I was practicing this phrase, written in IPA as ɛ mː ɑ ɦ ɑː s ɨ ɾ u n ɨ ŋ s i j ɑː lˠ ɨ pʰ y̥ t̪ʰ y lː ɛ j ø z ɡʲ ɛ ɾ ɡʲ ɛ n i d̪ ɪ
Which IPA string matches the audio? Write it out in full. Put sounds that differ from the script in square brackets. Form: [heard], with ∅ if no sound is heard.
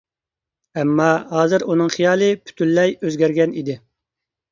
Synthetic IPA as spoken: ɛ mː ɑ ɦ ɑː [z] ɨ ɾ u n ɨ ŋ [χ] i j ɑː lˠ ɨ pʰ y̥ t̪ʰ y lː ɛ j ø z ɡʲ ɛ ɾ ɡʲ ɛ n i d̪ ɪ